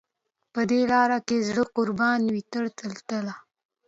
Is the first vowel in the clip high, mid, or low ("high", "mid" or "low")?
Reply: mid